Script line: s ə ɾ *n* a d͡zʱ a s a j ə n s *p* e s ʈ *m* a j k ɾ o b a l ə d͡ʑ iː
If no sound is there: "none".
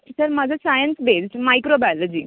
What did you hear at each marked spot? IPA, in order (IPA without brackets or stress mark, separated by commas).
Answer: m, b, m